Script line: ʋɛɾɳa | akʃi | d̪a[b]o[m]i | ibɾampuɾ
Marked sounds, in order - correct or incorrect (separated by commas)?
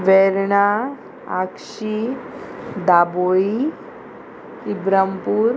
correct, incorrect